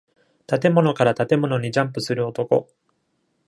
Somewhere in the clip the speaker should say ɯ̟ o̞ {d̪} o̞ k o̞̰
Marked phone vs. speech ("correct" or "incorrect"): incorrect